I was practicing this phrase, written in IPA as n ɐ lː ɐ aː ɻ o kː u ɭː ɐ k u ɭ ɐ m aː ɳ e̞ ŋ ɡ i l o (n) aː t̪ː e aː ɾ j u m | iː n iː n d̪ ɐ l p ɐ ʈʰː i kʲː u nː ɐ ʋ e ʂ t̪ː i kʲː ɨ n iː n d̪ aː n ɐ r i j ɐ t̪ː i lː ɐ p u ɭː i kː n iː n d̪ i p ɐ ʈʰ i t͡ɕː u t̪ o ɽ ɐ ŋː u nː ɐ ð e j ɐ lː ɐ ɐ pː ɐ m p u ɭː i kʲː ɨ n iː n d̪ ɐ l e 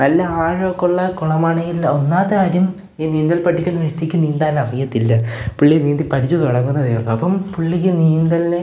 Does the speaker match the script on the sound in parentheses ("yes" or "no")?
no